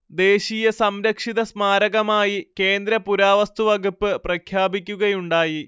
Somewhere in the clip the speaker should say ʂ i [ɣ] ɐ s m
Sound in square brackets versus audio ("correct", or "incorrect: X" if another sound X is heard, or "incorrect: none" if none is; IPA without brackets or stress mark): incorrect: ð